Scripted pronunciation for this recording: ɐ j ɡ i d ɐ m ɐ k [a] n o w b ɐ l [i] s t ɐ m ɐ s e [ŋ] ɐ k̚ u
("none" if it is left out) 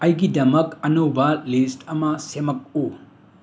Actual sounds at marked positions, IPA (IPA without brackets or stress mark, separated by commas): ɐ, i, m